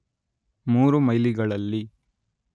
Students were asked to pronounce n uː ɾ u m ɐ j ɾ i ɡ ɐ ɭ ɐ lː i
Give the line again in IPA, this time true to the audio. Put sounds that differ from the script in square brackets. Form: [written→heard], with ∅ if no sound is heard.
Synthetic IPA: [n→m] uː ɾ u m ɐ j [ɾ→l] i ɡ ɐ ɭ ɐ lː i